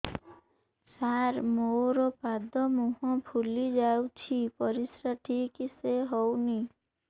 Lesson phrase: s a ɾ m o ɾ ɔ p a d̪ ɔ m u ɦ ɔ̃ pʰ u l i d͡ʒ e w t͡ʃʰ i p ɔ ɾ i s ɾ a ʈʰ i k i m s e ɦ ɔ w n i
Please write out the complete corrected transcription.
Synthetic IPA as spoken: s a ɾ m o ɾ ɔ p a d̪ ɔ m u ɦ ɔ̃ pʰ u l i d͡ʒ a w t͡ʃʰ i p ɔ ɾ i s ɾ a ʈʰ i k i s e ɦ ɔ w n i